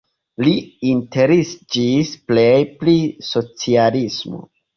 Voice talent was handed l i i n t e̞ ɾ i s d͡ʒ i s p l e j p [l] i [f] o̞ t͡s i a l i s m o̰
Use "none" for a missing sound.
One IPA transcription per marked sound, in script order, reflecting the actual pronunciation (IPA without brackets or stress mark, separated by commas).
l, s